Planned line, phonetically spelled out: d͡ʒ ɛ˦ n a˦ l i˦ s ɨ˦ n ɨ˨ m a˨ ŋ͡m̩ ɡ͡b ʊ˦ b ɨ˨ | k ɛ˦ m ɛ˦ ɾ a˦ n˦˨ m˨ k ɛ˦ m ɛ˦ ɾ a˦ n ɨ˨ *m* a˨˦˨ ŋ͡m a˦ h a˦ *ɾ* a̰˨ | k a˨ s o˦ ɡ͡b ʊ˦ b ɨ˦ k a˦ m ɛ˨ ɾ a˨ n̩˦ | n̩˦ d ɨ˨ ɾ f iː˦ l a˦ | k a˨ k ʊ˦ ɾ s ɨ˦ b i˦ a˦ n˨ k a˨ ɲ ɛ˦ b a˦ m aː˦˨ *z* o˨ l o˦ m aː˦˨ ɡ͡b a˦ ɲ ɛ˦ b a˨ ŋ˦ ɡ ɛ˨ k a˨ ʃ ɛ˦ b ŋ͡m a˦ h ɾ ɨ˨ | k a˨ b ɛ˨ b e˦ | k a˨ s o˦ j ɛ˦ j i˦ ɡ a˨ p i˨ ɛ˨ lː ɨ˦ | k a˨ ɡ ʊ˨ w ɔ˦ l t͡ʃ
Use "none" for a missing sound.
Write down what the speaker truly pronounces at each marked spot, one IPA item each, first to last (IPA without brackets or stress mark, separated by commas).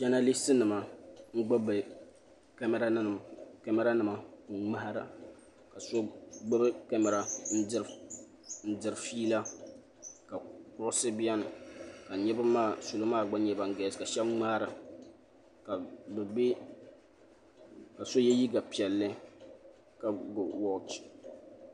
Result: m, ɾ, s